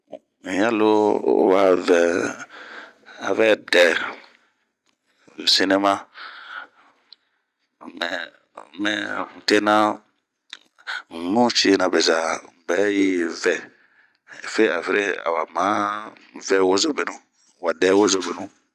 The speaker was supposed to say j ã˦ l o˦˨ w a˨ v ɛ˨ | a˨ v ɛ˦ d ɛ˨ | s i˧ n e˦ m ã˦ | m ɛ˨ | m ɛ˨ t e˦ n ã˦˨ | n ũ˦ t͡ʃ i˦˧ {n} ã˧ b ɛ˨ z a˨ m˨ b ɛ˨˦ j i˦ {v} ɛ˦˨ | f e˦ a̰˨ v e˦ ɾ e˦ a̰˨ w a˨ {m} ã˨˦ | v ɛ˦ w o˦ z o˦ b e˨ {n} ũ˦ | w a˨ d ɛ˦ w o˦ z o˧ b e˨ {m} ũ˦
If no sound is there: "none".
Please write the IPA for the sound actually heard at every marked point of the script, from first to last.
n, v, m, n, n

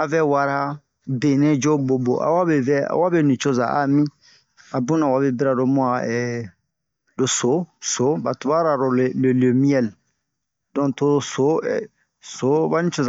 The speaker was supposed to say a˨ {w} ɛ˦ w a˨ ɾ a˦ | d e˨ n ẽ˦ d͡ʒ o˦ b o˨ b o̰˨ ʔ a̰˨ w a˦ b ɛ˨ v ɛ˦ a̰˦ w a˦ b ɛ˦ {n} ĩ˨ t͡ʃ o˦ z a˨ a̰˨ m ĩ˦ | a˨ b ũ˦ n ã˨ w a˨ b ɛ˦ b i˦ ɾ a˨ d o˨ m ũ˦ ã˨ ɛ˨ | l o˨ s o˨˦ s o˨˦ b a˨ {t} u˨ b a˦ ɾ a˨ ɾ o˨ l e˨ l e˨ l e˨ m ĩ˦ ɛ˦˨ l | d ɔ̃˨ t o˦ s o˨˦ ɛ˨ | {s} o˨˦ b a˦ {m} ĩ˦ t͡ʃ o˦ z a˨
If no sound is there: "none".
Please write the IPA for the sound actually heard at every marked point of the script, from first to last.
v, n, t, s, n

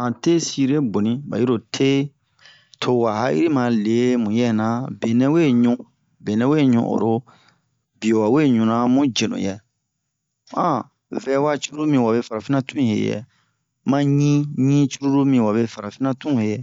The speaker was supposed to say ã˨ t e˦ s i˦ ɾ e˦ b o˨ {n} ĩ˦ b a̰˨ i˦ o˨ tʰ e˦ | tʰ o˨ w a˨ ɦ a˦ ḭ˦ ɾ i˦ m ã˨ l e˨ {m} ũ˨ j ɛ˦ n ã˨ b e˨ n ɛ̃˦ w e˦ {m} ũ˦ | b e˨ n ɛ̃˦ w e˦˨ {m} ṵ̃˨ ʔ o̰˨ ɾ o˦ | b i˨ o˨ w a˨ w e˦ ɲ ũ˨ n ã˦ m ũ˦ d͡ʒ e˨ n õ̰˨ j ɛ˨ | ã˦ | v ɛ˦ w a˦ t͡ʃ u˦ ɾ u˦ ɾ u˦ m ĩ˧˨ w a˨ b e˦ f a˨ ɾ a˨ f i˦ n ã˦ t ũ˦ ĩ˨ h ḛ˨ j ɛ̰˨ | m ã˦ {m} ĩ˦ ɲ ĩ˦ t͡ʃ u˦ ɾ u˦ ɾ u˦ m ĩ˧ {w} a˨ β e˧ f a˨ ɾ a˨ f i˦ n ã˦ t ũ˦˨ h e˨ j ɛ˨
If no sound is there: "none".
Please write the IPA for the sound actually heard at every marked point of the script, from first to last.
n, m, ɲ, ɲ, ɲ, w

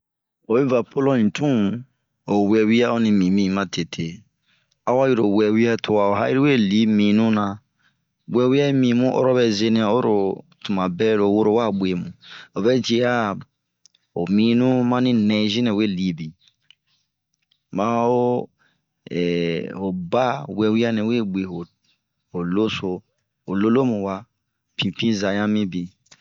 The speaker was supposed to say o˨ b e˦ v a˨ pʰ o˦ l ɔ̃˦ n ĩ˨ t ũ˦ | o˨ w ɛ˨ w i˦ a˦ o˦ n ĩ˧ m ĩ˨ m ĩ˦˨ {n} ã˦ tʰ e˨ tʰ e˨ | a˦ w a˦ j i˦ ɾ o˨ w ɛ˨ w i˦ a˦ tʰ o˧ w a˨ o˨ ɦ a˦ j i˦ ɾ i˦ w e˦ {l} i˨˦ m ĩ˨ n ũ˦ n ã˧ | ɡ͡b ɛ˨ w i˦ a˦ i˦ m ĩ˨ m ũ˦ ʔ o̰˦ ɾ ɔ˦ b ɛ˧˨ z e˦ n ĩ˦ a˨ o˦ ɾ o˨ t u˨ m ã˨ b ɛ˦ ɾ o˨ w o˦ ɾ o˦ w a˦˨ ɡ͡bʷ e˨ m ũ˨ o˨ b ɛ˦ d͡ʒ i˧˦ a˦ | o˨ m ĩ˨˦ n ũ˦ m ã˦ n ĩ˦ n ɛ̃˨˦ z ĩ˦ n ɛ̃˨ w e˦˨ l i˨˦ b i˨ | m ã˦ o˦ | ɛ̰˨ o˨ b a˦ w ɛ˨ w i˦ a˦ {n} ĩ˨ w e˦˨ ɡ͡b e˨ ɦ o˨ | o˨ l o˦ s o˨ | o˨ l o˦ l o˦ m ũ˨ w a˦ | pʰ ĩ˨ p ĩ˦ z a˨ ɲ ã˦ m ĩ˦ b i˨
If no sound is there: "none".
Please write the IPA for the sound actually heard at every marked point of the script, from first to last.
m, l, n

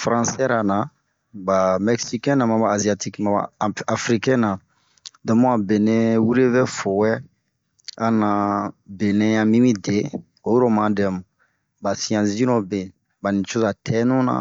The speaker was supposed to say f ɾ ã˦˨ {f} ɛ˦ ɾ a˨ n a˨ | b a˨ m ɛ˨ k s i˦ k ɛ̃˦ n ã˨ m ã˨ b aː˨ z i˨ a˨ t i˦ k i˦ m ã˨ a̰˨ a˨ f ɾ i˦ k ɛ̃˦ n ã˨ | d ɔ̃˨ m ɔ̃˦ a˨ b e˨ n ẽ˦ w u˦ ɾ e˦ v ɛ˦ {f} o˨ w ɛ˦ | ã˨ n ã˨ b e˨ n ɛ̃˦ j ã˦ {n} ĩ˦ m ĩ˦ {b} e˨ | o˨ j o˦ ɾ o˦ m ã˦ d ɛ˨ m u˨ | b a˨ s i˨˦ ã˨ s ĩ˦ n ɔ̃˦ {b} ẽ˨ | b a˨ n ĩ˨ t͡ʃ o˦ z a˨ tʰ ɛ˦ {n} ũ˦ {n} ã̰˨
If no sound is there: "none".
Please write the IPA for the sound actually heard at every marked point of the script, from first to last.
s, f, m, d, b, n, n

